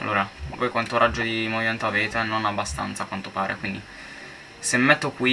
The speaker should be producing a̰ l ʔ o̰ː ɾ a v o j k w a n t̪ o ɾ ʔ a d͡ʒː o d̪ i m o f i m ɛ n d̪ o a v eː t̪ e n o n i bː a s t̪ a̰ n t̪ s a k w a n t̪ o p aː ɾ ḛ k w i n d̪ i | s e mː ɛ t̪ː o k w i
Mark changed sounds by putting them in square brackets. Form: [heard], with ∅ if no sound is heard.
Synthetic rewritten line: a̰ l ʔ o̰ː ɾ a v o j k w a n t̪ o ɾ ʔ a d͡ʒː o d̪ i m o [v] i m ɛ n [t̪] o a v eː t̪ e n o n [a] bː a s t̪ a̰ n t̪ s a k w a n t̪ o p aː ɾ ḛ k w i n d̪ i | s e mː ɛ t̪ː o k w i